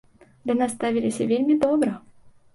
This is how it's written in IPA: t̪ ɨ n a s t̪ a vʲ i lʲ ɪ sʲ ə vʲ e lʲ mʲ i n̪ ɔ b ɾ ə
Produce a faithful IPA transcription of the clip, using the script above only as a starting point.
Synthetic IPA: d̪ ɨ n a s t̪ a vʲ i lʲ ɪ sʲ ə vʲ e lʲ mʲ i d̪ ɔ b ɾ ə